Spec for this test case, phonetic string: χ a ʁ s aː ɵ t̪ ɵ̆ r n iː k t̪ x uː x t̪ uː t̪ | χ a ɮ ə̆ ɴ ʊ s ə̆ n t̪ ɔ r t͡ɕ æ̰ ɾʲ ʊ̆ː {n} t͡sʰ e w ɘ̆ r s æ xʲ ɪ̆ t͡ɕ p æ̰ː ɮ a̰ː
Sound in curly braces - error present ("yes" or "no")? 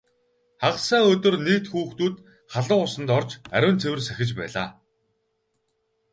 no